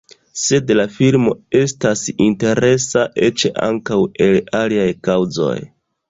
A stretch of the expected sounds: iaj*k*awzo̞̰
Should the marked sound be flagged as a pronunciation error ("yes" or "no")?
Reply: no